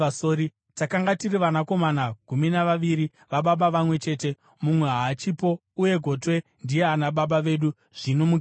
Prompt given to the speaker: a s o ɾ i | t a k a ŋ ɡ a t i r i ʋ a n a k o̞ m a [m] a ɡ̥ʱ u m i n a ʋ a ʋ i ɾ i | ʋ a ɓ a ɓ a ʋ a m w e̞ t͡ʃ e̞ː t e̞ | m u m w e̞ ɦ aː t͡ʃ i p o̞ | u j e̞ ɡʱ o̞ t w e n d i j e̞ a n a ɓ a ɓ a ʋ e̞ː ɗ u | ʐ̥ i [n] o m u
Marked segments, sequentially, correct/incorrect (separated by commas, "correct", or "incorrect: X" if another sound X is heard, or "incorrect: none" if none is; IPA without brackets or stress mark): incorrect: n, correct